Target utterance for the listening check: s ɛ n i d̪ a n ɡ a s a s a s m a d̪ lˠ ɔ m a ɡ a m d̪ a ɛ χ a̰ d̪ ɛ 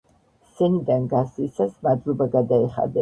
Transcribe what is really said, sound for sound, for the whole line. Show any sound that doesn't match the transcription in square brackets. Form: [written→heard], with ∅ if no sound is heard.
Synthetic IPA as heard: s ɛ n i d̪ a n ɡ a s [a→i] s a s m a d̪ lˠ ɔ [m→b] a ɡ a [m→∅] d̪ a ɛ χ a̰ d̪ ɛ